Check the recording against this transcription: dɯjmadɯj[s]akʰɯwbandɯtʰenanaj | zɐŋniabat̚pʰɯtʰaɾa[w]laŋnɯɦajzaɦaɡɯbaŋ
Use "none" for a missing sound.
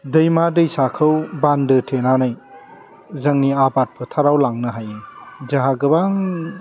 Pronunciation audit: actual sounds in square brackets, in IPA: s, w

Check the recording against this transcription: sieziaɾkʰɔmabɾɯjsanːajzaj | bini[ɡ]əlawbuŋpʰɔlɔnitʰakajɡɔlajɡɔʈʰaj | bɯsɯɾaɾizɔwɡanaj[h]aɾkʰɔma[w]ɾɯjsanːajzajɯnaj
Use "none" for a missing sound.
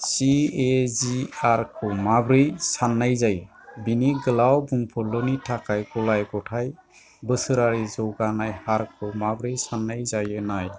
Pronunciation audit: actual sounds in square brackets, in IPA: ɡ, h, b

